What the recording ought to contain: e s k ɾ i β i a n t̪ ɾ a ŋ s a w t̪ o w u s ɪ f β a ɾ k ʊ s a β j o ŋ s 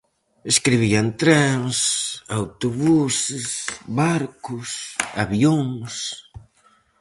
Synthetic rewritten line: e s k ɾ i β i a n t̪ ɾ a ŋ s a w t̪ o β u s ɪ s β a ɾ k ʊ s a β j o ŋ s